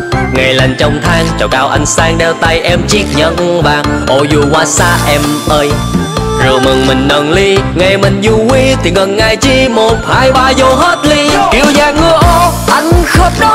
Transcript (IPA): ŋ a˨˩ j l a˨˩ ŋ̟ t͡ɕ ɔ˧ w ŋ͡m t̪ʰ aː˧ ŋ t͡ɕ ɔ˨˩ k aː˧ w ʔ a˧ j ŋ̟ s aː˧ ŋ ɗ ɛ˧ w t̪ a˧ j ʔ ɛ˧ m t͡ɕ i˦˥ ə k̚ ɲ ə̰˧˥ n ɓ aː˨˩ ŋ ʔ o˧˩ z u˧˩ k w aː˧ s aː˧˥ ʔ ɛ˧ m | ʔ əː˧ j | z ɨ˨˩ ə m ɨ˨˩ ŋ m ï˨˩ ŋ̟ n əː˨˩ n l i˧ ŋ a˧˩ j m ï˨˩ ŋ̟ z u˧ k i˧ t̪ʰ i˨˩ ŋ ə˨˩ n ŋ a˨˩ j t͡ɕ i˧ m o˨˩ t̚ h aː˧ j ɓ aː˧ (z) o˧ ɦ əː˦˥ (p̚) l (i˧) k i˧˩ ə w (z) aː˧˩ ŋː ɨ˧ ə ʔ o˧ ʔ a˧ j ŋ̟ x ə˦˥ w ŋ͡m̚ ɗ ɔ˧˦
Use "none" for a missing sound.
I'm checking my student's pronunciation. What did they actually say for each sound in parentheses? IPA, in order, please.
z, t̚, i˧, z

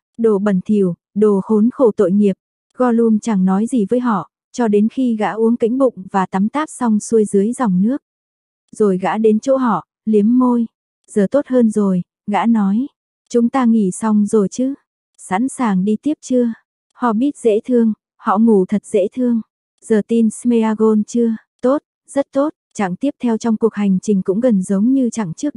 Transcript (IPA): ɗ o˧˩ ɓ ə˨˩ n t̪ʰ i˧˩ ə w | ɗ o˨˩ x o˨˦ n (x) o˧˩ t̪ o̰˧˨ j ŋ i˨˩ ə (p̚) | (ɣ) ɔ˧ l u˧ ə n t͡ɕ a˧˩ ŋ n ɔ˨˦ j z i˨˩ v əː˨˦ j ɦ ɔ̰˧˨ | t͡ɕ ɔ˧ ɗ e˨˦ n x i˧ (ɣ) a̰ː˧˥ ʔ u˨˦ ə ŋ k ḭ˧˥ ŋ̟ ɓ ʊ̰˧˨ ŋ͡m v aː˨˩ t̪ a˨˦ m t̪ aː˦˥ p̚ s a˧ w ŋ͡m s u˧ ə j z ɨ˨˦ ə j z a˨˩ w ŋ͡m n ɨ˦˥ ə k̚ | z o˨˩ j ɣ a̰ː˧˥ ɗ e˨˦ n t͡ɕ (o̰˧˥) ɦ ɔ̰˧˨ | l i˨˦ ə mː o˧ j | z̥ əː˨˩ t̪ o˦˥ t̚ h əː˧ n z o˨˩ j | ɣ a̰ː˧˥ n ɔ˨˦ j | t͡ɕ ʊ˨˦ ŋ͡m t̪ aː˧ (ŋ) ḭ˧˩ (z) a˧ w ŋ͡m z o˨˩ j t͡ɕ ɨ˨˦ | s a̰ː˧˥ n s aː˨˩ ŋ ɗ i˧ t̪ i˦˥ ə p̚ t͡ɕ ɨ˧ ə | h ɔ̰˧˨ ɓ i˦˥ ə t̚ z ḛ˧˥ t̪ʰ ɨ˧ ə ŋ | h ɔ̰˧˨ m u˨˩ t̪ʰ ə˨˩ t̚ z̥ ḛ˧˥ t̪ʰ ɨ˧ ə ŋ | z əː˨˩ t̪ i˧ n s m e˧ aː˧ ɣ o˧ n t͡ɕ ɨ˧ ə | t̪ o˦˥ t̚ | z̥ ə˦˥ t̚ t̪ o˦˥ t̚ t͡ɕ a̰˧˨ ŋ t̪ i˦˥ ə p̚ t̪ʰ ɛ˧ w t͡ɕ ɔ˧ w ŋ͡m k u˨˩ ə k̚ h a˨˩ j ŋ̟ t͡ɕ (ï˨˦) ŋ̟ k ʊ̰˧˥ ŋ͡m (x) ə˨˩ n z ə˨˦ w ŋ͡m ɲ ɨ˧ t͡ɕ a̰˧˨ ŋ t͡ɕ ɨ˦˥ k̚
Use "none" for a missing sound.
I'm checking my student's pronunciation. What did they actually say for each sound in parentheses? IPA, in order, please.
x, p̚, ɣ, ɣ, o̰˧˥, ŋ, s, ï˨˩, ɣ

